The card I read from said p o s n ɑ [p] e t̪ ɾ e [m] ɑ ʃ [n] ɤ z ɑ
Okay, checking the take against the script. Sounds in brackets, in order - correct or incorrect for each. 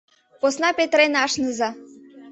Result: correct, incorrect, correct

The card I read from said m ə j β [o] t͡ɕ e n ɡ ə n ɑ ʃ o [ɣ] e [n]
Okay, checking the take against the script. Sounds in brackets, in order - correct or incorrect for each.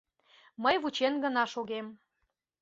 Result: incorrect, correct, incorrect

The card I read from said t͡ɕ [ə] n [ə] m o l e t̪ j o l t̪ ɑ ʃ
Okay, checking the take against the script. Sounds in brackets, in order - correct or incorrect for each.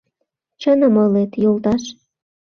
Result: correct, correct

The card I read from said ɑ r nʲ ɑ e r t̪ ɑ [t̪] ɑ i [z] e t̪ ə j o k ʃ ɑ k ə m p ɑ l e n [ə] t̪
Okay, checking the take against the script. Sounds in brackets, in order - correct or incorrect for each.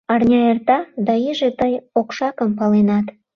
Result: incorrect, incorrect, incorrect

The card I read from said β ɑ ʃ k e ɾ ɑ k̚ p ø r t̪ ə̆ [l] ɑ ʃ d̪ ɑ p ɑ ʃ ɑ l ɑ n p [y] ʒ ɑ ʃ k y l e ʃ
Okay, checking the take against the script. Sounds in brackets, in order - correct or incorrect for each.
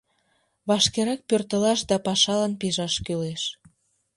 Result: correct, incorrect

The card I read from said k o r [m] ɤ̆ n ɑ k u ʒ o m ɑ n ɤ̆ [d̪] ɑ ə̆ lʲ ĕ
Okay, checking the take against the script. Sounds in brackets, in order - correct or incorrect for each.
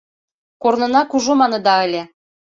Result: incorrect, correct

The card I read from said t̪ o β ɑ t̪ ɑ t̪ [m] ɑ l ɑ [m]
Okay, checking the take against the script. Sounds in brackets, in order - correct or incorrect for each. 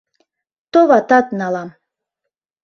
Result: incorrect, correct

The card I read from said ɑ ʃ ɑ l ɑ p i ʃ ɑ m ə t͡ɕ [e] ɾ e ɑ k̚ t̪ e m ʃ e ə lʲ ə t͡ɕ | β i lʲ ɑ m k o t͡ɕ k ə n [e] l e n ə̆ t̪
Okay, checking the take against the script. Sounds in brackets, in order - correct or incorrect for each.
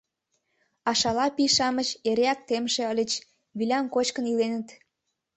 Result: correct, incorrect

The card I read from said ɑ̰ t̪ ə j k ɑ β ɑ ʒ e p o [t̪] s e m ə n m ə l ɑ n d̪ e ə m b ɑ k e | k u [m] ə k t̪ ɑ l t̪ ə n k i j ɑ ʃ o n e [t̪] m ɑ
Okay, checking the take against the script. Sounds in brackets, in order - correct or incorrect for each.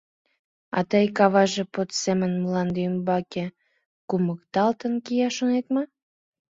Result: correct, correct, correct

